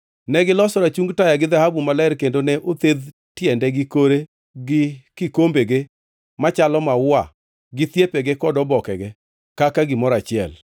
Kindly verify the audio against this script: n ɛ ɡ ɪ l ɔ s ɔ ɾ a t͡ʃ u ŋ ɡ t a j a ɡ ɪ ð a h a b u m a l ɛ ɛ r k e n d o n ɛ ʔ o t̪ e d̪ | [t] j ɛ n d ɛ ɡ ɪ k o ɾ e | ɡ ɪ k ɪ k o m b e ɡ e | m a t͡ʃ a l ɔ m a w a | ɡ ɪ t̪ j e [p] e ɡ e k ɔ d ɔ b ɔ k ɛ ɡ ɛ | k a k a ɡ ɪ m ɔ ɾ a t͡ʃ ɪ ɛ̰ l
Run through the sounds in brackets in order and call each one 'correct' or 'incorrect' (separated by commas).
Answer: correct, correct